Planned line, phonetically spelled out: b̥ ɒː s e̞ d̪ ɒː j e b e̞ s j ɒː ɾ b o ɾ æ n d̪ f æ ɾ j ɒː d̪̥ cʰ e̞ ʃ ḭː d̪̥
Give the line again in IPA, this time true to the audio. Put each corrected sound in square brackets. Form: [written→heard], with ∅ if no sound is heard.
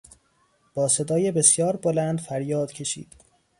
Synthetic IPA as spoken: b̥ ɒː s e̞ d̪ ɒː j e b e̞ s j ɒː ɾ b o [ɾ→l] æ n d̪ f æ ɾ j ɒː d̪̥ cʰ e̞ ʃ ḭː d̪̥